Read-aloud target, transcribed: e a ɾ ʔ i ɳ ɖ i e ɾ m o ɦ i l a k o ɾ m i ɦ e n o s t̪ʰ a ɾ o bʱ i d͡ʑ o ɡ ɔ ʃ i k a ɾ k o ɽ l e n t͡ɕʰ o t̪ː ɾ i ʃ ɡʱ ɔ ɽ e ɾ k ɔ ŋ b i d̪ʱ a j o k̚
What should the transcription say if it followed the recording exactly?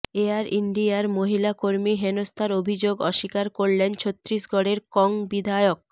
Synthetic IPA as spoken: e a ɾ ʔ i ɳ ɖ i a ɾ m o ɦ i l a k o ɾ m i ɦ e n o s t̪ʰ a ɾ o bʱ i d͡ʑ o ɡ ɔ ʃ i k a ɾ k o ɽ l e n t͡ɕʰ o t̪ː ɾ i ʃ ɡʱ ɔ ɽ e ɾ k ɔ ŋ b i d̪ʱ a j o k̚